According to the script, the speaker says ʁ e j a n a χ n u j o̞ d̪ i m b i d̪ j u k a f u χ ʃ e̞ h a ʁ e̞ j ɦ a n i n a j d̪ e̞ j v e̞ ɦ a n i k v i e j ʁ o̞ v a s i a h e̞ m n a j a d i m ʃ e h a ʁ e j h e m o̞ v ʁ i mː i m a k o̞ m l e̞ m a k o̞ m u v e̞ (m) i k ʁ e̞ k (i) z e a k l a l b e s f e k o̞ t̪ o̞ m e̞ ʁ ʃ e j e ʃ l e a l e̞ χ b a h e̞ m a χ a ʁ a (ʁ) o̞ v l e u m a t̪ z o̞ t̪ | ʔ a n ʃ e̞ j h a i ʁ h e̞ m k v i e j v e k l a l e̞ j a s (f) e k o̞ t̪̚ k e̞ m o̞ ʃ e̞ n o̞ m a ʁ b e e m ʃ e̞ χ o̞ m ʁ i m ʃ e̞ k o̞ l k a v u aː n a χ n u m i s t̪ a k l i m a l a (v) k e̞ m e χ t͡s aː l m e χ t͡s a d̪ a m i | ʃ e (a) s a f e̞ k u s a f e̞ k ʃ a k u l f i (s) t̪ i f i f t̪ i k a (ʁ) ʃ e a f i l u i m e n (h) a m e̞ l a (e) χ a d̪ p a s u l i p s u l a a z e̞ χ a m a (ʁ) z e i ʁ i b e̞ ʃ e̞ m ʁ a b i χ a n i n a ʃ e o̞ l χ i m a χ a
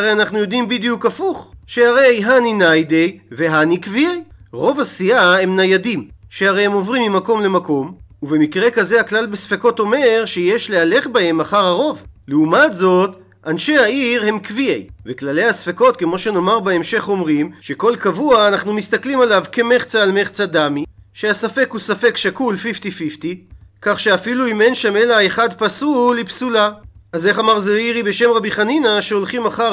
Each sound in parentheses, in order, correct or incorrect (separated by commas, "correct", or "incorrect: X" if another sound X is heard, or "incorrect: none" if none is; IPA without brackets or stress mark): correct, incorrect: a, correct, correct, correct, correct, incorrect: f, incorrect: χ, incorrect: ʃ, correct, correct